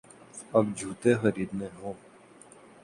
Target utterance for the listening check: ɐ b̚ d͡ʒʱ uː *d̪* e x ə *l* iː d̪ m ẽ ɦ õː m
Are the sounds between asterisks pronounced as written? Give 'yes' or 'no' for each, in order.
no, no

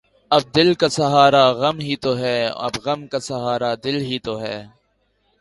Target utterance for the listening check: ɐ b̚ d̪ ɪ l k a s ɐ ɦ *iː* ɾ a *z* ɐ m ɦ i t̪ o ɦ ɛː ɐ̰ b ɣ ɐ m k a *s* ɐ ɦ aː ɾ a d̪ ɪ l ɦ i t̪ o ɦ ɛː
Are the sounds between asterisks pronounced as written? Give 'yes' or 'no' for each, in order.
no, no, yes

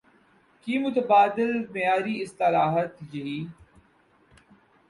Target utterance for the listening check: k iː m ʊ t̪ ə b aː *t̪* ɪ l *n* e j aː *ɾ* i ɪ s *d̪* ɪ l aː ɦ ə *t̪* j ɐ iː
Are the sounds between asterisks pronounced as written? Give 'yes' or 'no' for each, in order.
no, no, yes, no, yes

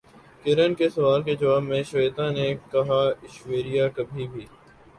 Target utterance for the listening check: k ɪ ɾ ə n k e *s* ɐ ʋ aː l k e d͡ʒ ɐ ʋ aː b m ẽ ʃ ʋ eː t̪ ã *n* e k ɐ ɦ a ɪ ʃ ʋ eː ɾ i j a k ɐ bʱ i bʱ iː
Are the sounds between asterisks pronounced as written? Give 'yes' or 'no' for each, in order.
yes, yes

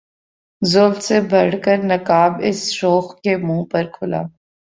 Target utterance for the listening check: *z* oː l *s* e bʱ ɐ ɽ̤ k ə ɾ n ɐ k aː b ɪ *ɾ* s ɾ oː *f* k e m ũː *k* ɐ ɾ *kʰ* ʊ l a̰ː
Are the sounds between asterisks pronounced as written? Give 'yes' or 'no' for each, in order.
yes, yes, no, no, no, yes

